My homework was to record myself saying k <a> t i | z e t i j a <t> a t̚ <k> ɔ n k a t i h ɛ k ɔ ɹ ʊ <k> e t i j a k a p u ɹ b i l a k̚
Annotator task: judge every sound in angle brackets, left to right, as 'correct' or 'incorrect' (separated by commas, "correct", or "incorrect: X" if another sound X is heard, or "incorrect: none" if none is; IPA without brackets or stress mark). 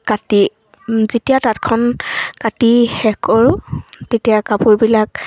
correct, correct, incorrect: kʰ, incorrect: t